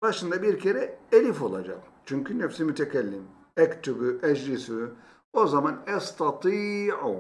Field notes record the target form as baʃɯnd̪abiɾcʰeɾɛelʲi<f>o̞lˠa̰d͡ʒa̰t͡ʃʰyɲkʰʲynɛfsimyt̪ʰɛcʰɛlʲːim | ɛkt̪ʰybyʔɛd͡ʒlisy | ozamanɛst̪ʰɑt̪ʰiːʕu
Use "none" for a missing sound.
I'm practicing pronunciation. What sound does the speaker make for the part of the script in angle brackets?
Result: f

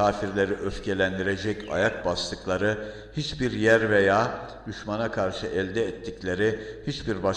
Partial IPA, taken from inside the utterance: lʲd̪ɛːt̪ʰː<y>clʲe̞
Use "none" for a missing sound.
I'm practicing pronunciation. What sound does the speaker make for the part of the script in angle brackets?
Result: i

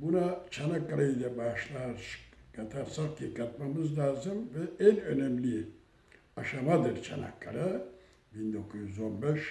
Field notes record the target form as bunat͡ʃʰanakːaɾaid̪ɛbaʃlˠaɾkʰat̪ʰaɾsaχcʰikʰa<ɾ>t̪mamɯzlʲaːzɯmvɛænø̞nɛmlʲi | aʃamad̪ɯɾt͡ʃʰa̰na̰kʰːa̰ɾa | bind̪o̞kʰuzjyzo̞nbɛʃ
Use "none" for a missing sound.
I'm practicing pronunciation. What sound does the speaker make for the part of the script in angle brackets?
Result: none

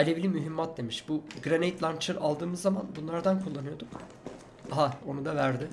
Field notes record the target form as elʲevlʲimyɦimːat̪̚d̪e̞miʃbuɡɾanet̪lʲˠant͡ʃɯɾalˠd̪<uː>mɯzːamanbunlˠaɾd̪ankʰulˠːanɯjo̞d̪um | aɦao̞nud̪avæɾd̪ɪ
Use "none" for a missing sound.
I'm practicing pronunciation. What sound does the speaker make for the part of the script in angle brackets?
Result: ɯː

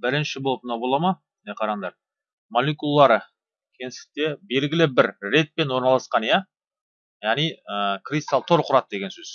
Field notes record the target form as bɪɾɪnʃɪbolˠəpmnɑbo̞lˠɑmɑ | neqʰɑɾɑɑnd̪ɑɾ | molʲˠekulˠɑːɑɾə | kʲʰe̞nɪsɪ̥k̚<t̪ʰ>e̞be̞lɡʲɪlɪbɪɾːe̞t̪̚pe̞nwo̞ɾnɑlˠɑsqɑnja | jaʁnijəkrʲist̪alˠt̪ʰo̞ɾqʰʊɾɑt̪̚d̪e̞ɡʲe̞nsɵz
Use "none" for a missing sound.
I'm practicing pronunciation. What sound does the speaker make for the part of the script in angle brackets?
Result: t̪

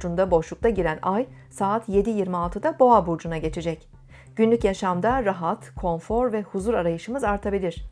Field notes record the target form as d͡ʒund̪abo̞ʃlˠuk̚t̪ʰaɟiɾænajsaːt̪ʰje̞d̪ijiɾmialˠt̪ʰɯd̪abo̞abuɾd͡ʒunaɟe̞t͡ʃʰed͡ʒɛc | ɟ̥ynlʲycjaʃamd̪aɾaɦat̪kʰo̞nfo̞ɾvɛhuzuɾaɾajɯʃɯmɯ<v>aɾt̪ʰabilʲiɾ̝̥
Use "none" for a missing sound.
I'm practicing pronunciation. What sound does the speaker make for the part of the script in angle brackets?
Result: z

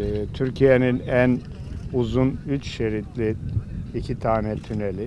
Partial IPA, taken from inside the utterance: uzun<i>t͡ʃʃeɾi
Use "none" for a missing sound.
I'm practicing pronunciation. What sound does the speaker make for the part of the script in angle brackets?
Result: y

